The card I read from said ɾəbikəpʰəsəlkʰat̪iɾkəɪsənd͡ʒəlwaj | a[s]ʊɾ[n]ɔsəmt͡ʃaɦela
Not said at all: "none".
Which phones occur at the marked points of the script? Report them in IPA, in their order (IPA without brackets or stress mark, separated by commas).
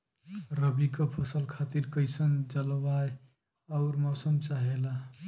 none, m